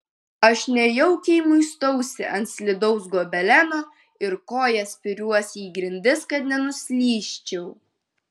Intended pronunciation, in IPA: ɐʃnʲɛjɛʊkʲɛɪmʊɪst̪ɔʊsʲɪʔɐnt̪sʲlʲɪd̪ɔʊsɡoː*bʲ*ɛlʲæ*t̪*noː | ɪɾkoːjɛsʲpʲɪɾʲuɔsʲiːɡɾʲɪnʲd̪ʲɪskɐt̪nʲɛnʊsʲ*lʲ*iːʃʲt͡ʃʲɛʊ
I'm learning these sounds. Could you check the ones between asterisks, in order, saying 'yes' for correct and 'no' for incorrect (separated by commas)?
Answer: yes, no, yes